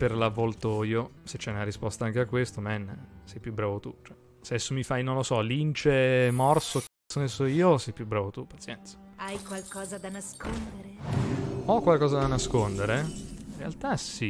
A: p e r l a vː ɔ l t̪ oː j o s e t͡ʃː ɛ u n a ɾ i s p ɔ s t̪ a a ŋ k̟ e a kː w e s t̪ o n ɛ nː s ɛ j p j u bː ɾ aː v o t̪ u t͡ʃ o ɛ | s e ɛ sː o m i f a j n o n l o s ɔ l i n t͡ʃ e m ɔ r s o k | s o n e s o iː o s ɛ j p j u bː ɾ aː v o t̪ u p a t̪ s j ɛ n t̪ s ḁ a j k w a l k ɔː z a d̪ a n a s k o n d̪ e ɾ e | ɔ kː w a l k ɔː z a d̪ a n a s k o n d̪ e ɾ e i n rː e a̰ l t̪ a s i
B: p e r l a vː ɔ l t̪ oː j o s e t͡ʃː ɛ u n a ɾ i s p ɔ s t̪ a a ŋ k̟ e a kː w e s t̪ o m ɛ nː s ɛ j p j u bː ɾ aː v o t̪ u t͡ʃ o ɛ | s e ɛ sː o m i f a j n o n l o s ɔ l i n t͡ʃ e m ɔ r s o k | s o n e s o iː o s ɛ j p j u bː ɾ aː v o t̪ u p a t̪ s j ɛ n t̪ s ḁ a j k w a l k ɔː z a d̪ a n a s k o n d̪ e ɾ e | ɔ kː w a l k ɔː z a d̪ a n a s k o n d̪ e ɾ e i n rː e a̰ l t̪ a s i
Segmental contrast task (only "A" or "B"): B